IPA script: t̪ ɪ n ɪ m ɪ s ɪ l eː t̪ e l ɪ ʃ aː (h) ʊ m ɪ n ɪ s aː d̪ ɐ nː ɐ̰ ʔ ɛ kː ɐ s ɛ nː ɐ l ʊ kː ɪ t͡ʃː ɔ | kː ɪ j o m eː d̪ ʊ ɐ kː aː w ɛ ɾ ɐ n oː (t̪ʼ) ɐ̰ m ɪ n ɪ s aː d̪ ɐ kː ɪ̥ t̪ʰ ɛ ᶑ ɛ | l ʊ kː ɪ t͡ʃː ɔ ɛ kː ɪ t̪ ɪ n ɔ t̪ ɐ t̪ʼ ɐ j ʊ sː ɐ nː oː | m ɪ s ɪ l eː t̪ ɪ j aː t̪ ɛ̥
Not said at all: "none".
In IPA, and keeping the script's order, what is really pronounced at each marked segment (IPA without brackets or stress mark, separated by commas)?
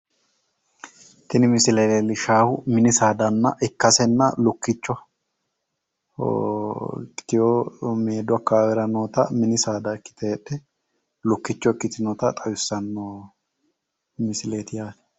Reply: h, t̪